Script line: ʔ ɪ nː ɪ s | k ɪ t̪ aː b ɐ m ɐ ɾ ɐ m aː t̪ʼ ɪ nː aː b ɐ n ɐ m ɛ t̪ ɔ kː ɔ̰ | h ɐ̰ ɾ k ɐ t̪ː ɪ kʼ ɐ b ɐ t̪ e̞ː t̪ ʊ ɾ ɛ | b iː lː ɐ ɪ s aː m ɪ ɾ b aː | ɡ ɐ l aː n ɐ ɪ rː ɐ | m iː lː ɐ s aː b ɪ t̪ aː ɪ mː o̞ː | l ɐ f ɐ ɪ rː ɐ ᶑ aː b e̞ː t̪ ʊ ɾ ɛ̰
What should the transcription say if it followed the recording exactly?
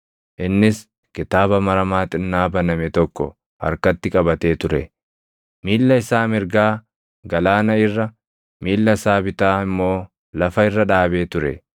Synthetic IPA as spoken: ʔ ɪ nː ɪ s | k ɪ t̪ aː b ɐ m ɐ ɾ ɐ m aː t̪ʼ ɪ nː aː b ɐ n ɐ m ɛ t̪ ɔ kː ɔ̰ | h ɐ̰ ɾ k ɐ t̪ː ɪ kʼ ɐ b ɐ t̪ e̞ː t̪ ʊ ɾ ɛ | m iː lː ɐ ɪ s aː m ɪ ɾ ɡ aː | ɡ ɐ l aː n ɐ ɪ rː ɐ | m iː lː ɐ s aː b ɪ t̪ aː ɪ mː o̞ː | l ɐ f ɐ ɪ rː ɐ ᶑ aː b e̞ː t̪ ʊ ɾ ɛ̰